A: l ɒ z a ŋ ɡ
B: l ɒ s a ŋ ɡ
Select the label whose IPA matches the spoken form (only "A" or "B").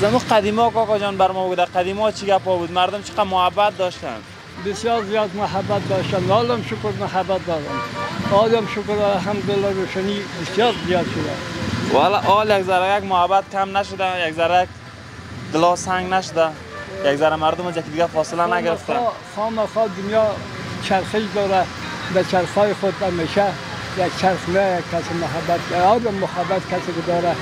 B